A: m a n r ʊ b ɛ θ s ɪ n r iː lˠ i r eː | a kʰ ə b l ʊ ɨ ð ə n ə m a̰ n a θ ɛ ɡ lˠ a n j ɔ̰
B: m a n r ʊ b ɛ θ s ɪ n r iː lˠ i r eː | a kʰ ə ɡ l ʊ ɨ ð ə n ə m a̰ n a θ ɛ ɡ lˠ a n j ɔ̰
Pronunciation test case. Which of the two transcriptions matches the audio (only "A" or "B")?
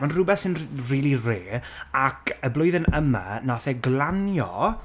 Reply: A